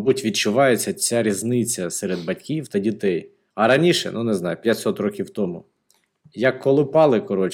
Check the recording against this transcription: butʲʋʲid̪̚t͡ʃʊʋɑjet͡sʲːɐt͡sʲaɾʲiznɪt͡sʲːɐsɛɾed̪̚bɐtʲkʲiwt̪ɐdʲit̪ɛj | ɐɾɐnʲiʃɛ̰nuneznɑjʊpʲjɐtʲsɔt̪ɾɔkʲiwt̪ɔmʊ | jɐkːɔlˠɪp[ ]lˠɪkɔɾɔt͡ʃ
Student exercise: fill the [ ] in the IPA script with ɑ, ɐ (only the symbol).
ɑ